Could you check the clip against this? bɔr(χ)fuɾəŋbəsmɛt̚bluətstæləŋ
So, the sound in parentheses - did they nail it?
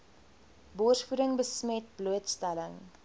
no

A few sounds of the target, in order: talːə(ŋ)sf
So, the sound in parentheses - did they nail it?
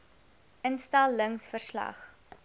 yes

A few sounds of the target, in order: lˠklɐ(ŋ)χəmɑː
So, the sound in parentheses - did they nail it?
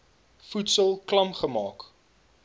no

